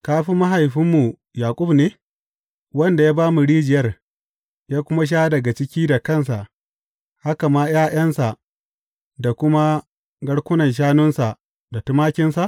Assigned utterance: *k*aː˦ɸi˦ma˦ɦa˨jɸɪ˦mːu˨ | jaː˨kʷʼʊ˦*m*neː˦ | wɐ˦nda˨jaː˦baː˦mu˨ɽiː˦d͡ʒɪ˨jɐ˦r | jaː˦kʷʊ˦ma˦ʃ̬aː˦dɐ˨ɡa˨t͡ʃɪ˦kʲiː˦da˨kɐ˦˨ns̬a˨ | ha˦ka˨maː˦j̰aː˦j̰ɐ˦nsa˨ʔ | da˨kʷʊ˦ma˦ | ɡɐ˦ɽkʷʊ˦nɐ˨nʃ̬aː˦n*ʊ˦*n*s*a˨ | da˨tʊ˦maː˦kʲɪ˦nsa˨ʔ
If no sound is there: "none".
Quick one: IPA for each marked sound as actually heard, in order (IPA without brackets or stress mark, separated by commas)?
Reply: k, b, ʊ˦, s